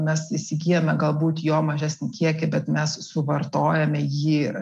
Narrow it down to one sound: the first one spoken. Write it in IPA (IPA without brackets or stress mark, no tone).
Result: mʲ